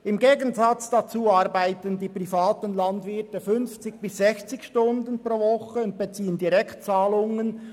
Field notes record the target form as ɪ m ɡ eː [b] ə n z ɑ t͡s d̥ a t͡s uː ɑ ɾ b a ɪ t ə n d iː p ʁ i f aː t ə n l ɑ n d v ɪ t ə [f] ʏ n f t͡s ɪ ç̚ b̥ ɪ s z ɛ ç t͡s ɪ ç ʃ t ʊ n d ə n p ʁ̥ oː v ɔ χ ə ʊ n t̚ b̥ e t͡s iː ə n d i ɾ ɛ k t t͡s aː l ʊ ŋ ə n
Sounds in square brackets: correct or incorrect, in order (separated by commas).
incorrect, correct